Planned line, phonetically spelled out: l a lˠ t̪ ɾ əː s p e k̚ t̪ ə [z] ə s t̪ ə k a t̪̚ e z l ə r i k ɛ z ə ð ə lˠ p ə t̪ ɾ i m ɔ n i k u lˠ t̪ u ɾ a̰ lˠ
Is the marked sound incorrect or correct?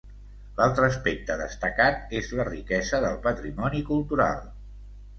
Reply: incorrect